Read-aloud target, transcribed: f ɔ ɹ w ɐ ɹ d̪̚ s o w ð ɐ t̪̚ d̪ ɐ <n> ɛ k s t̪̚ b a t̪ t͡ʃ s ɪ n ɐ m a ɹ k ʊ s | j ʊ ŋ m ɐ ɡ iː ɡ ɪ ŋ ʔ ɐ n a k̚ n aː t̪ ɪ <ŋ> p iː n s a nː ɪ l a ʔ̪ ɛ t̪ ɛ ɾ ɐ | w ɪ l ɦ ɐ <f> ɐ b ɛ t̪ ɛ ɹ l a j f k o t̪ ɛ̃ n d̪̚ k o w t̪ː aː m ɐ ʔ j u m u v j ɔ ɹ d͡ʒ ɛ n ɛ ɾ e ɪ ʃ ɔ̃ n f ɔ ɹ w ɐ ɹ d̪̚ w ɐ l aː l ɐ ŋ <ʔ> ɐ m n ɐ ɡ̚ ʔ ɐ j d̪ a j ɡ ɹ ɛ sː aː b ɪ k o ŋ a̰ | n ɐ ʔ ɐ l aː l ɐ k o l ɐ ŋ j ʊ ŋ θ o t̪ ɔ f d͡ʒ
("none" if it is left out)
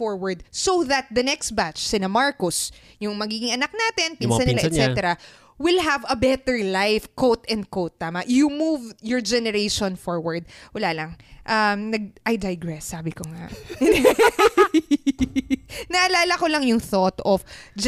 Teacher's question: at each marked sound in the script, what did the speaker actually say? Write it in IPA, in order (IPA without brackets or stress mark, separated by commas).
n, n, v, ʔ